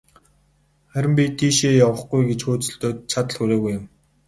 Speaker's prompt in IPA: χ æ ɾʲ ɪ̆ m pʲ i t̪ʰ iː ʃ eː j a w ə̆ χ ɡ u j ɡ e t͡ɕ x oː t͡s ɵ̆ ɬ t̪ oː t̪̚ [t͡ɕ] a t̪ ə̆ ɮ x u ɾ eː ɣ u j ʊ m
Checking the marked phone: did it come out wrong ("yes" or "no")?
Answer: yes